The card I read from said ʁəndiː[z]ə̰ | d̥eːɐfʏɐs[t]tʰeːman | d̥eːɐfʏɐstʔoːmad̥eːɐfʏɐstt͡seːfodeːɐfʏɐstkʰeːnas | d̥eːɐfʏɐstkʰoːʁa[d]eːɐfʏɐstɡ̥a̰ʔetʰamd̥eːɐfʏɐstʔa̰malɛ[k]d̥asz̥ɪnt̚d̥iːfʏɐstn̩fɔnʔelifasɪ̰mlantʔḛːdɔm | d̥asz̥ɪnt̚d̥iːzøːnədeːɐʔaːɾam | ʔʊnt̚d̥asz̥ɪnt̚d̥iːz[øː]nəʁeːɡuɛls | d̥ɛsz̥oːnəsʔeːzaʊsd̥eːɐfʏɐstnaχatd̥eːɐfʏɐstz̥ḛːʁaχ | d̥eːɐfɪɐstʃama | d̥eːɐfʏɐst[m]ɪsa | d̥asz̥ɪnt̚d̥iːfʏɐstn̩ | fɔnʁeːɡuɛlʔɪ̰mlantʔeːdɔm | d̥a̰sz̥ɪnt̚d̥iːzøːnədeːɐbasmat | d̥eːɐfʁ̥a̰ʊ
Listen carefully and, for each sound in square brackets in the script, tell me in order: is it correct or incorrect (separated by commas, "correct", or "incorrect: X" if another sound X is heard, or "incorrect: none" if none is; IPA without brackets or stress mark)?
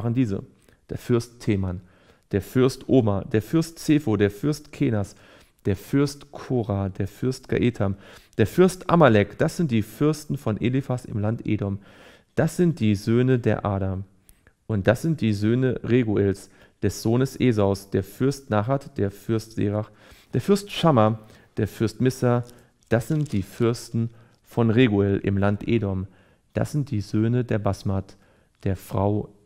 correct, correct, correct, correct, correct, correct